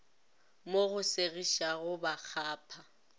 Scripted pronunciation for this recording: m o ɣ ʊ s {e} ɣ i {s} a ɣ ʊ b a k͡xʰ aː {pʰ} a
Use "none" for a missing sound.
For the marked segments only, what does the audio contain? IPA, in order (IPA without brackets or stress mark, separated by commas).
e, ʃ, pʰ